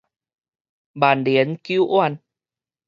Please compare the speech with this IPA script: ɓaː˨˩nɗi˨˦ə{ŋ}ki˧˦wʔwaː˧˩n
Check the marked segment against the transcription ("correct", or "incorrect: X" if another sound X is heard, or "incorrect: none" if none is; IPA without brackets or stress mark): incorrect: n